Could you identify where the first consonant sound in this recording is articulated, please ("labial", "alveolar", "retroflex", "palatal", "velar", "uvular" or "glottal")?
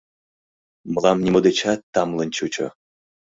labial